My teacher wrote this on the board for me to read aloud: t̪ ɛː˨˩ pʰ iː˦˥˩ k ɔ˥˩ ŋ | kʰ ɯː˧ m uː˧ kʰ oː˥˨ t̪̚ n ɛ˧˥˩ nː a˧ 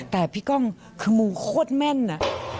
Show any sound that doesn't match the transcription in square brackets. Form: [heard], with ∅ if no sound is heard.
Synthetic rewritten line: t̪ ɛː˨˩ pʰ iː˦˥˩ k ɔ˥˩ ŋ | kʰ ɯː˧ m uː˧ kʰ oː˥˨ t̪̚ [m] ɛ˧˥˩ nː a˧